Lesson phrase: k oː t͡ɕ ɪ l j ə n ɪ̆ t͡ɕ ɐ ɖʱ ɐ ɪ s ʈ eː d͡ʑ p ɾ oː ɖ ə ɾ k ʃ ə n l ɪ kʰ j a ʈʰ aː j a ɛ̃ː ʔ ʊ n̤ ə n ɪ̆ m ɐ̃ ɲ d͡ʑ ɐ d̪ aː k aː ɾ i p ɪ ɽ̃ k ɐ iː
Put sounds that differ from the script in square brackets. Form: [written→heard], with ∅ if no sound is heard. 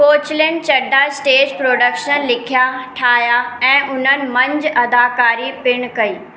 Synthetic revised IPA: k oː t͡ɕ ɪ l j ə n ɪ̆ t͡ɕ ɐ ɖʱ [ɐ→a] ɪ s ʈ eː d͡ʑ p ɾ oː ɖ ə [ɾ→∅] k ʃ ə n l ɪ kʰ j a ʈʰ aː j a ɛ̃ː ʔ ʊ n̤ ə n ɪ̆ m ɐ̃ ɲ d͡ʑ ɐ d̪ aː k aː ɾ i p ɪ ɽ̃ k ɐ iː